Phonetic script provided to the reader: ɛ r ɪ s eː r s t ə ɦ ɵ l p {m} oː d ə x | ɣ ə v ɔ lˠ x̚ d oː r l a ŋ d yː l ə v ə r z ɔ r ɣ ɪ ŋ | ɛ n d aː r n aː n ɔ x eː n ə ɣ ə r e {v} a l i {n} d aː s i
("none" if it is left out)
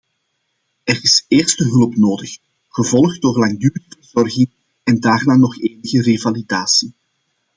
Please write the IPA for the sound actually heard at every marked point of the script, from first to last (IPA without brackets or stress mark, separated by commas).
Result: n, v, none